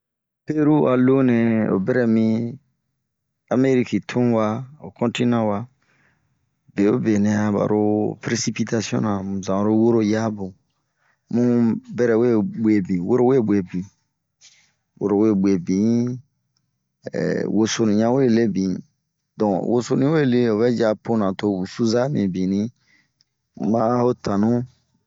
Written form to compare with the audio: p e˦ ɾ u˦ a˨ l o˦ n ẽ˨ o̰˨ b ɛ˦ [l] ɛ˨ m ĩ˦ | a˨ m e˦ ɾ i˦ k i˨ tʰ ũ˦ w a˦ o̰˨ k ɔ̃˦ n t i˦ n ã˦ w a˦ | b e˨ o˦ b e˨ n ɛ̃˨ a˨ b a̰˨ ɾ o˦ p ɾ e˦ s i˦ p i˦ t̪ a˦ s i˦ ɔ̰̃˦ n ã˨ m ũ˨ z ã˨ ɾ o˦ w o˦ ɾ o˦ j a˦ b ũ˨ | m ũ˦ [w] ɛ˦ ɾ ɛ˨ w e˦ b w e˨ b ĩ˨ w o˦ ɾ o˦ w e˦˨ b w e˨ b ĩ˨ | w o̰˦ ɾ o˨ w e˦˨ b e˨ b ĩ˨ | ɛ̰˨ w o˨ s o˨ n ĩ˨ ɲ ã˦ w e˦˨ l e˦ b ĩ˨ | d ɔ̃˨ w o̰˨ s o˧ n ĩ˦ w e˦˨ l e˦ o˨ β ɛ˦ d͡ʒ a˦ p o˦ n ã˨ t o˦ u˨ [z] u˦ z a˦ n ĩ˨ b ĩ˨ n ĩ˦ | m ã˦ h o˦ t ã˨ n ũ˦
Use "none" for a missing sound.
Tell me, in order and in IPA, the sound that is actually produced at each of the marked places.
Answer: ɾ, b, s

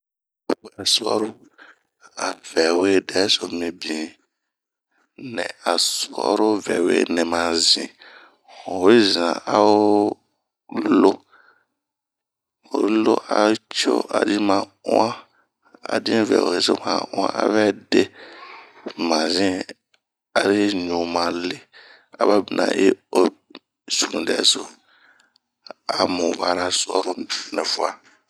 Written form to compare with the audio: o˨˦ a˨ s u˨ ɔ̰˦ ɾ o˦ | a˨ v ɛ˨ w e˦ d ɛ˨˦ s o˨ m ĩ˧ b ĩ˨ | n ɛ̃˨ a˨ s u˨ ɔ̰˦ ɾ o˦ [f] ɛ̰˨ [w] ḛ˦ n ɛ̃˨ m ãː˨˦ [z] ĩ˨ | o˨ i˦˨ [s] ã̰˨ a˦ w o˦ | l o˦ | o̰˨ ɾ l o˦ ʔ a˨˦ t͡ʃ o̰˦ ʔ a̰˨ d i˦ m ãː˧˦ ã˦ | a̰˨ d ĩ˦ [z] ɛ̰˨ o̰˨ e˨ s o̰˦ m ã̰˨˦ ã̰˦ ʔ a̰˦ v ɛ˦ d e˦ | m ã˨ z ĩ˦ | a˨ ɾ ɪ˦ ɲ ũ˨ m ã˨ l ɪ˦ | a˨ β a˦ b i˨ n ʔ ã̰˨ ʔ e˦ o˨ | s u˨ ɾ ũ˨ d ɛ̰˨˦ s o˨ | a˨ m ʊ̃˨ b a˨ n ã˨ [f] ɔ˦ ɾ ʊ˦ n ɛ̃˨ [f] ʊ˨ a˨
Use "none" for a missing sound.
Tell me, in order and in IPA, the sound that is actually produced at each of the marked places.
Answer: v, w, z, z, v, s, f

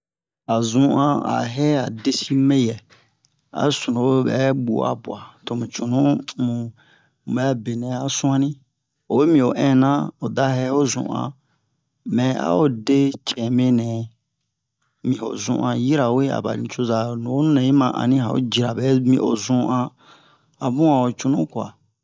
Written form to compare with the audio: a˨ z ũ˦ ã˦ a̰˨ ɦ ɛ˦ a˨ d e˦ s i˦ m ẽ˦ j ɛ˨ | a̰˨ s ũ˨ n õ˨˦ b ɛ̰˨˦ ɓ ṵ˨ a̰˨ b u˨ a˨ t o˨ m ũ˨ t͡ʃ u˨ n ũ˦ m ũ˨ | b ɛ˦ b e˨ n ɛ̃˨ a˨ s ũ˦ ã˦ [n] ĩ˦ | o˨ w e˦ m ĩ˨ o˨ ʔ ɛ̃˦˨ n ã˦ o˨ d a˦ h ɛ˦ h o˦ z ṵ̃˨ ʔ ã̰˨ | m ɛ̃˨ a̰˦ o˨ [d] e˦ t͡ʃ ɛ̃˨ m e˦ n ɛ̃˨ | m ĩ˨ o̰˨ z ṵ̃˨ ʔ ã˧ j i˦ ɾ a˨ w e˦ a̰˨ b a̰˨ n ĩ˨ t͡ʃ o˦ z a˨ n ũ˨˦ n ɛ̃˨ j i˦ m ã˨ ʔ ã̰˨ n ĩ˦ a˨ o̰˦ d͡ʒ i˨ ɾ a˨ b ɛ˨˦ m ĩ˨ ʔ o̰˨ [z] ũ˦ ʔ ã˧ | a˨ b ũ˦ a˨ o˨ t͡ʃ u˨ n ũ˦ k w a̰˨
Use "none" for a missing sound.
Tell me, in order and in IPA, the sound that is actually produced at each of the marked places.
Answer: n, d, z

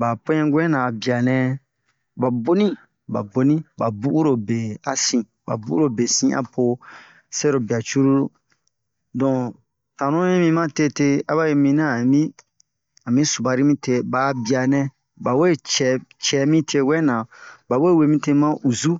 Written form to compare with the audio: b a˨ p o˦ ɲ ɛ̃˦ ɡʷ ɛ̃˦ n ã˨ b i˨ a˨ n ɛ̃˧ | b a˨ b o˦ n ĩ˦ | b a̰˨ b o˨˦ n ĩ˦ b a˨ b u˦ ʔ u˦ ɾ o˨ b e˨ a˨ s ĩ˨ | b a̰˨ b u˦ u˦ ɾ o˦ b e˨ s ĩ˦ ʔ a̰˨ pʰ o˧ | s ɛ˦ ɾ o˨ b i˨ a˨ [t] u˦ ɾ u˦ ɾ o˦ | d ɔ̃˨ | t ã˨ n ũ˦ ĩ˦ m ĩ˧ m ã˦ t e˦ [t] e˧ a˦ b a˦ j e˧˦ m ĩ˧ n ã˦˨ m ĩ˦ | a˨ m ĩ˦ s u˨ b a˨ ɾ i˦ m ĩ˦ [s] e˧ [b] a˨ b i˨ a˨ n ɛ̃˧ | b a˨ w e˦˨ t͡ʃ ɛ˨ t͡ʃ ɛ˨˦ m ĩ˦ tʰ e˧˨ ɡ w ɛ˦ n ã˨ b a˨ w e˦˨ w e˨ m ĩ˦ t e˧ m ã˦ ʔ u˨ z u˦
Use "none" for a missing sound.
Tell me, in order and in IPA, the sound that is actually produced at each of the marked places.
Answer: t͡ʃ, t, t, b

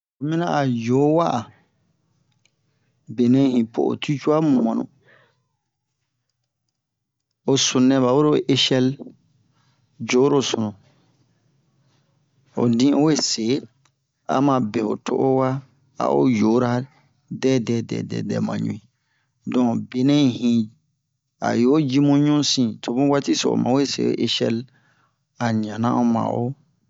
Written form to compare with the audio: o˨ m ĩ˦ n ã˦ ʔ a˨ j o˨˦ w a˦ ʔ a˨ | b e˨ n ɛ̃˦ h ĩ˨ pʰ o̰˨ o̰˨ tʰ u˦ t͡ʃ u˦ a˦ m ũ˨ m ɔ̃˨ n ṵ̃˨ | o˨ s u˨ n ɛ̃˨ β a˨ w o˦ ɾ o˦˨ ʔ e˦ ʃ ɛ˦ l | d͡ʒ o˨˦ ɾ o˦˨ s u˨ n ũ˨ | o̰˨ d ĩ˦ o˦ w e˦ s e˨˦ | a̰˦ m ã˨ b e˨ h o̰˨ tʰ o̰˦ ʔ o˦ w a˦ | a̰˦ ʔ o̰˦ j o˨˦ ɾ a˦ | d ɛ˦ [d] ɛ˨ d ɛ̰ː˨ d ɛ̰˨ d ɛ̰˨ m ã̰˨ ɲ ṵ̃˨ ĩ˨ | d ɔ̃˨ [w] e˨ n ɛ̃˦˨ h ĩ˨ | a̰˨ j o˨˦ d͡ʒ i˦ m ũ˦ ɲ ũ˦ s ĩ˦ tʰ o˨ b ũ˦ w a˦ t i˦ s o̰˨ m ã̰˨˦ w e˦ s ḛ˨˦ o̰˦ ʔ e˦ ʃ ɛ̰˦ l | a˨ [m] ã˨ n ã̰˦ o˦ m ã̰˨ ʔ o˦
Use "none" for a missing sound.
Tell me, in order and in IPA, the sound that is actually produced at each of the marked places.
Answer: d, b, ɲ

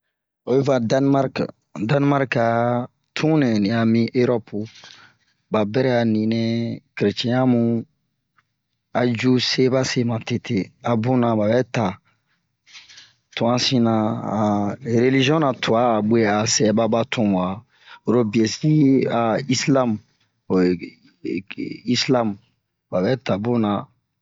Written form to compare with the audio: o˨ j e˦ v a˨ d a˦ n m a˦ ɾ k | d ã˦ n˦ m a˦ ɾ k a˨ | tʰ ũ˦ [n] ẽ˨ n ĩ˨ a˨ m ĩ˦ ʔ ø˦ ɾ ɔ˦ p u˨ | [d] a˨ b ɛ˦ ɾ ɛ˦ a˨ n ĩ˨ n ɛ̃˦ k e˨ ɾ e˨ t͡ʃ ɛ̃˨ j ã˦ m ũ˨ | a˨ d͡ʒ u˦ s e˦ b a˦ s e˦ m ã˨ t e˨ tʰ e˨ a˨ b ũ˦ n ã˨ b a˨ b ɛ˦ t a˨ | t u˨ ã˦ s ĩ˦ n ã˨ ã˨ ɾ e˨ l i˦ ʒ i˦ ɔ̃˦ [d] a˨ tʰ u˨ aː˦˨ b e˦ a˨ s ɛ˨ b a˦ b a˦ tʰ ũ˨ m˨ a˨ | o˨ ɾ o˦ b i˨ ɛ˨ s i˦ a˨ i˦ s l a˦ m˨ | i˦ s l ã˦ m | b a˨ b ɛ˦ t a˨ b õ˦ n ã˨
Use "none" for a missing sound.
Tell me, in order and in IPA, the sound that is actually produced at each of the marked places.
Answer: n, b, n

